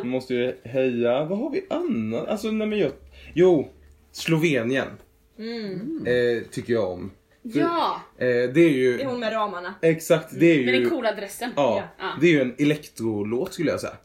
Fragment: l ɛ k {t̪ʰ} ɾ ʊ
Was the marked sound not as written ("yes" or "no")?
yes